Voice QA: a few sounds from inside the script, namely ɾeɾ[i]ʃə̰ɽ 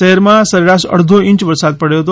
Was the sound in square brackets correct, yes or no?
no